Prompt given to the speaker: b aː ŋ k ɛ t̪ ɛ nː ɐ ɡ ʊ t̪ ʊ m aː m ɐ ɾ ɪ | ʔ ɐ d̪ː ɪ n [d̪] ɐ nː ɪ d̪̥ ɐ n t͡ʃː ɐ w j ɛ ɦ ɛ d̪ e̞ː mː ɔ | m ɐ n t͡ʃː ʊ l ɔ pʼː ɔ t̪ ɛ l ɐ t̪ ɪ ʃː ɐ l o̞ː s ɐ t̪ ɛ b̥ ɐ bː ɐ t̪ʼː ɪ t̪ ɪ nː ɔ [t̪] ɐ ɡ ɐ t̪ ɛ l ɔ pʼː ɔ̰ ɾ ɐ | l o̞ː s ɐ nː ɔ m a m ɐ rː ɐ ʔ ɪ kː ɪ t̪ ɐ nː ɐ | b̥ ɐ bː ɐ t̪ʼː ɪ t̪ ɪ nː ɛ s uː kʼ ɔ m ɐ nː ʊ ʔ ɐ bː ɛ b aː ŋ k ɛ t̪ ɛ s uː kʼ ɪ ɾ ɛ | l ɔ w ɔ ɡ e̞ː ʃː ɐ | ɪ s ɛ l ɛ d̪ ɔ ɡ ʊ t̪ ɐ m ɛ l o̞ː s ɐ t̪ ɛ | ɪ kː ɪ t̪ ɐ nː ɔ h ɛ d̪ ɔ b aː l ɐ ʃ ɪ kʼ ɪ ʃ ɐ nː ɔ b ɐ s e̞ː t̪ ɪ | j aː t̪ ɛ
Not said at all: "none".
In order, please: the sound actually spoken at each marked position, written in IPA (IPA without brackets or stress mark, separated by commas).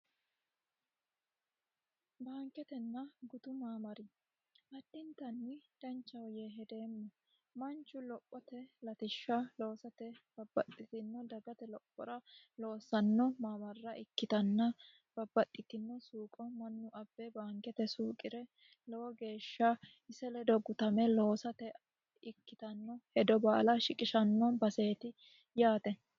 t̪, d̪